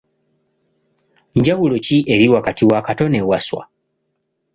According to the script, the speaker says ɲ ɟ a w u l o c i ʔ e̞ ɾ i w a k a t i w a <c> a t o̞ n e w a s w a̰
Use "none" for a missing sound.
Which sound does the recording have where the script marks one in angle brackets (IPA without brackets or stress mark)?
k